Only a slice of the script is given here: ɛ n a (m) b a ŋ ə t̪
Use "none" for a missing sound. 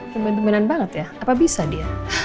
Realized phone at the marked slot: n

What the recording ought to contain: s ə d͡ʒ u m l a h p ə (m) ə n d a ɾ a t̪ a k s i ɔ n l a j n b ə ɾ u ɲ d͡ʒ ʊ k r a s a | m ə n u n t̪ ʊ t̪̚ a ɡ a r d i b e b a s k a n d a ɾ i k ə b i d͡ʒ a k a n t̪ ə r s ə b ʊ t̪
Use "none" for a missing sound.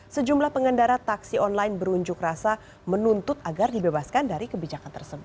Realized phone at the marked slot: ŋ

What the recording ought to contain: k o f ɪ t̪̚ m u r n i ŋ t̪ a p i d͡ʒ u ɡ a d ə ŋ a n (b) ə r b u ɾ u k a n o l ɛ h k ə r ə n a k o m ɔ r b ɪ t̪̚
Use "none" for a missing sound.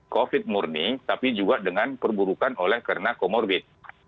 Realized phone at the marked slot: p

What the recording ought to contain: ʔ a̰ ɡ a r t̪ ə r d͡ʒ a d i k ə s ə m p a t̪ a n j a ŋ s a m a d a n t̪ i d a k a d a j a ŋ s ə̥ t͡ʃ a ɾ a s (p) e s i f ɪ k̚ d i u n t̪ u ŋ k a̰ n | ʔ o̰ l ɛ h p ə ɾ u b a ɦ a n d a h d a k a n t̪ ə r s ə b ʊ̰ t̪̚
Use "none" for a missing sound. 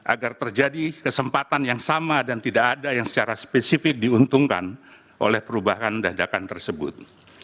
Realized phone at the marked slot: p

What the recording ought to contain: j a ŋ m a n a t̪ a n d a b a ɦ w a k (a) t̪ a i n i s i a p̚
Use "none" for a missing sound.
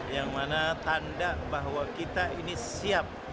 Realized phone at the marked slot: i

